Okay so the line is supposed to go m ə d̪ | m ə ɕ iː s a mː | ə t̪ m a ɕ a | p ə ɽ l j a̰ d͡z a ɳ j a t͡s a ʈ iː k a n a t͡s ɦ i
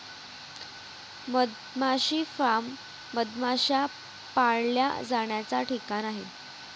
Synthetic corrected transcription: m ə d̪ | m a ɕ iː f a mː | ə d̪ m a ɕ a | p a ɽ l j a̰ d͡z a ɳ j a t͡s a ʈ i k a n a ɦ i